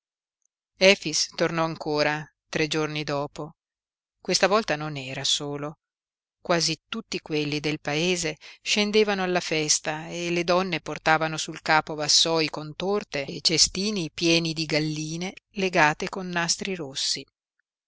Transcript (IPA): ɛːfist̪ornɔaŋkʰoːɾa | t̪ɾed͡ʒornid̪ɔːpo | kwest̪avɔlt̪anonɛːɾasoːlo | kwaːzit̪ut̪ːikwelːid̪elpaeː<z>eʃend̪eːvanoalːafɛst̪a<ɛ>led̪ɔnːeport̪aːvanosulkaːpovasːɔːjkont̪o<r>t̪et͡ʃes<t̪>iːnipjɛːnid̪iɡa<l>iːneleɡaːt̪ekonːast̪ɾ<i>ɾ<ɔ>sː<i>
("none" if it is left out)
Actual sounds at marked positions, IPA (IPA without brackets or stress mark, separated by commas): z, e, r, t̪, lː, i, o, i